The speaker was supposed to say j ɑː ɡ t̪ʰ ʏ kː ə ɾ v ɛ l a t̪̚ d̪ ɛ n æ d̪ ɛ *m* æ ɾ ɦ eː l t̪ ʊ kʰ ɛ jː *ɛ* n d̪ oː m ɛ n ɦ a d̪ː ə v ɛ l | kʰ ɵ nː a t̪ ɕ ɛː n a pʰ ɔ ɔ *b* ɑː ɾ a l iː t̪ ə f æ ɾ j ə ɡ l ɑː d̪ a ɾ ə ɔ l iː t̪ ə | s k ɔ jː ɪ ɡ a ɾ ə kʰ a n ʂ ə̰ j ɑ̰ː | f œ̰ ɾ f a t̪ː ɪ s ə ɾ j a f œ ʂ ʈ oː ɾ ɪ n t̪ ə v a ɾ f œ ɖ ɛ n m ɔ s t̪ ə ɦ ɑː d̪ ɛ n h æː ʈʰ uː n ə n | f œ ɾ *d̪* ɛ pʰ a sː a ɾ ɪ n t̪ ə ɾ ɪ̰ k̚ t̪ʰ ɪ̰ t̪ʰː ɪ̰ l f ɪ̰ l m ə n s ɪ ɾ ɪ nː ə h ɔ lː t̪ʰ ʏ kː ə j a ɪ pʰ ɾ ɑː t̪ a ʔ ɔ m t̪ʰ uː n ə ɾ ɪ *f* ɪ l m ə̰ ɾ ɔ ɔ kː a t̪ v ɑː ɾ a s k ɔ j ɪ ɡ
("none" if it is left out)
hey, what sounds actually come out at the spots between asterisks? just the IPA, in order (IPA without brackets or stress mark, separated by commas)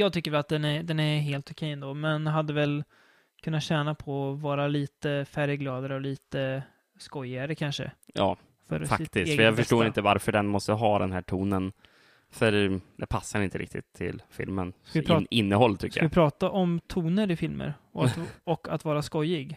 n, ɛ, v, d̪, f